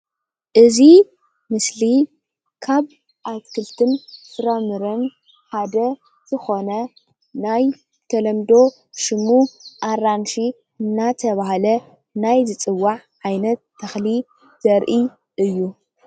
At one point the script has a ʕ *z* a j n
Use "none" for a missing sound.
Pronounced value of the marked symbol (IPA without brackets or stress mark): ʕ